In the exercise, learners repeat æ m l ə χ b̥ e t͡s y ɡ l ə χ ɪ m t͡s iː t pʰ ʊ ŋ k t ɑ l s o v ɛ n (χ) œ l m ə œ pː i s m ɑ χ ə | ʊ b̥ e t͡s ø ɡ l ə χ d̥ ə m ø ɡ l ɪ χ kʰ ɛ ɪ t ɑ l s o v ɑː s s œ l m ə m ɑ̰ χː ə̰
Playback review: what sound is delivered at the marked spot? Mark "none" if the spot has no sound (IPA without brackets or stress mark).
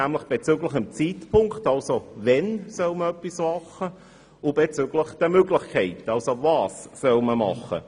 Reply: s